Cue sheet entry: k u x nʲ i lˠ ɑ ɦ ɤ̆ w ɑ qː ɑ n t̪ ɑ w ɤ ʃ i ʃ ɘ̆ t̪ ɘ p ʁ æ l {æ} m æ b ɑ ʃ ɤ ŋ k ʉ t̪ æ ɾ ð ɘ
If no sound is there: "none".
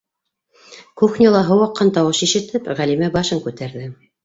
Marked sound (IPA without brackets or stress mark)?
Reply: i